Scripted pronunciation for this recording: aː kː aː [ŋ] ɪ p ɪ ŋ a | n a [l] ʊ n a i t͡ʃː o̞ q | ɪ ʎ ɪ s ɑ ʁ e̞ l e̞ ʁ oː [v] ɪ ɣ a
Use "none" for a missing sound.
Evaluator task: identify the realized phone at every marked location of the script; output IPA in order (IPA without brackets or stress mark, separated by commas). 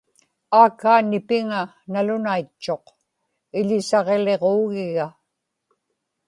n, l, ɣ